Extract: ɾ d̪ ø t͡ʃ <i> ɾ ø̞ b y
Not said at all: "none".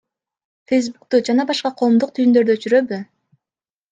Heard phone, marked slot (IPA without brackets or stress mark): y